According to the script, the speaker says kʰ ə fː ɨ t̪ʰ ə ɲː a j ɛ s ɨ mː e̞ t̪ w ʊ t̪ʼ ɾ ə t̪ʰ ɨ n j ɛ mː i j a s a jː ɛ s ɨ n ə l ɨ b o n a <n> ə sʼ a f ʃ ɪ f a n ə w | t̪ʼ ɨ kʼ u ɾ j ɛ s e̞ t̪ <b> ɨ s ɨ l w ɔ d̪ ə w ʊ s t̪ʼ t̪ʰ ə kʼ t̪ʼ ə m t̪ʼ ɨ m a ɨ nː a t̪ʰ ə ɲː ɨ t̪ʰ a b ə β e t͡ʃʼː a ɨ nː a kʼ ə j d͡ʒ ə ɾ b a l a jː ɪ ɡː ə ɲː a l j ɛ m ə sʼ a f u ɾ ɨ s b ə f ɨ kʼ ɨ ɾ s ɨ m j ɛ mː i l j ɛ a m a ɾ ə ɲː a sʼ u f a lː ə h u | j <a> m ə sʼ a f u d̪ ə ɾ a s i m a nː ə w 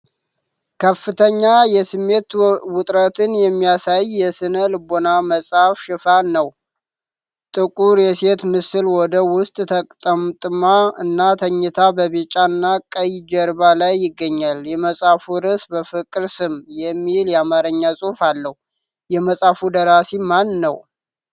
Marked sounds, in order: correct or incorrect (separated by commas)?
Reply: incorrect, incorrect, incorrect